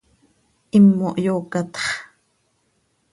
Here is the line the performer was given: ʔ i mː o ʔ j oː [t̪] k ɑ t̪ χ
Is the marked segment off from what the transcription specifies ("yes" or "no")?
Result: yes